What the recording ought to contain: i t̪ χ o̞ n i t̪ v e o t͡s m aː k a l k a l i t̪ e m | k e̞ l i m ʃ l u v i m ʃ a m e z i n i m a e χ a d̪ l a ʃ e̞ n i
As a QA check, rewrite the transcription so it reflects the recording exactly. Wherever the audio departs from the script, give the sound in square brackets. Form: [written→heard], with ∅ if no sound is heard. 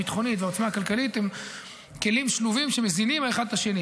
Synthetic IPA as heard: i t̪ χ o̞ n i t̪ v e o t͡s m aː k a l k a l i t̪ e m | k e̞ l i m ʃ l u v i m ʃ [a→e] m e z i n i m a e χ a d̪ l a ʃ e̞ n i